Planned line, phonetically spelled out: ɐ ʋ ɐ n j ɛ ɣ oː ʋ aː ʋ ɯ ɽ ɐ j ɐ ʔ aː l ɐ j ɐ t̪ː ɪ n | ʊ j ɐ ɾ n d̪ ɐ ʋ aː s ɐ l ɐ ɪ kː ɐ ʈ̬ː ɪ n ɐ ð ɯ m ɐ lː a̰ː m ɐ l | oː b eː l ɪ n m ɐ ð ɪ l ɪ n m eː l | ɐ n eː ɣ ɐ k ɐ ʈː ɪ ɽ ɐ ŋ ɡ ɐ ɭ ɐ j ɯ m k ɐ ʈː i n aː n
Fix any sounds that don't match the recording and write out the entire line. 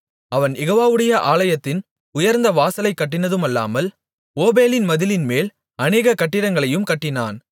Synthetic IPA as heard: ɐ ʋ ɐ n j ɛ ɣ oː ʋ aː ʋ ɯ ɽ ɐ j ɐ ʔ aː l ɐ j ɐ t̪ː ɪ n | ʊ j ɐ ɾ n d̪ ɐ ʋ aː s ɐ l ɐ ɪ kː ɐ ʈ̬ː ɪ n ɐ ð ɯ m ɐ lː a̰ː m ɐ l | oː b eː l ɪ n m ɐ ð ɪ l ɪ n m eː l | ɐ n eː ɣ ɐ k ɐ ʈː ɪ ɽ ɐ ŋ ɡ ɐ ɭ ɐ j ɯ m k ɐ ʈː ɪ n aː n